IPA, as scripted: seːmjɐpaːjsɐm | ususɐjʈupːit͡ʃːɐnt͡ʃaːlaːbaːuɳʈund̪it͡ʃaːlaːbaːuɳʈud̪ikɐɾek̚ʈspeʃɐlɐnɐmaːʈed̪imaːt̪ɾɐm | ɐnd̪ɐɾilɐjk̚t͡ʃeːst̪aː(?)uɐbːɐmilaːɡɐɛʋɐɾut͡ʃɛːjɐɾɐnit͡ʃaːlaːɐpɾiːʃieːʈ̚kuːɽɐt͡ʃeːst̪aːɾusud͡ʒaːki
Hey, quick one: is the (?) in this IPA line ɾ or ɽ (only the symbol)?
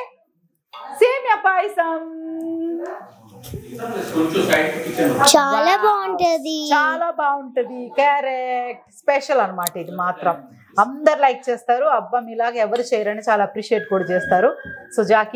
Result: ɾ